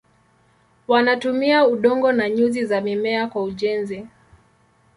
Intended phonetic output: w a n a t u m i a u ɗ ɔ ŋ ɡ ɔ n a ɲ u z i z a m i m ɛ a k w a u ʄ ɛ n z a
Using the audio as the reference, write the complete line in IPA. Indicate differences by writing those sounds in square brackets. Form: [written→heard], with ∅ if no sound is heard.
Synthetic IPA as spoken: w a n a t u m i a u ɗ ɔ ŋ ɡ ɔ n a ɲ u z i z a m i m ɛ a k w a u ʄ ɛ n z [a→i]